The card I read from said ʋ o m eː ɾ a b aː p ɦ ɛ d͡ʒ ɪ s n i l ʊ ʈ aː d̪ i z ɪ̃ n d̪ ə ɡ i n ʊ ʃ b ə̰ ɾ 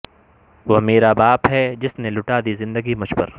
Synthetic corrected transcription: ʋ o m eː ɾ a b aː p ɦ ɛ d͡ʒ ɪ s n e l ʊ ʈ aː d̪ i z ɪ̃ n d̪ ə ɡ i m ʊ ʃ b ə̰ ɾ